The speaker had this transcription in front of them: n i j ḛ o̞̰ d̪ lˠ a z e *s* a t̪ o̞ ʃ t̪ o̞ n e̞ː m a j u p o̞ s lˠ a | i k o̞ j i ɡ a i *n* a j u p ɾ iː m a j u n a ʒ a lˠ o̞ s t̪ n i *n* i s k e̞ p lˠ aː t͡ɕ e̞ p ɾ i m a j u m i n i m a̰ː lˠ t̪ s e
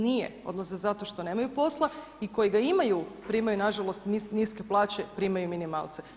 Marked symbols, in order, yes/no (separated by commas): no, no, yes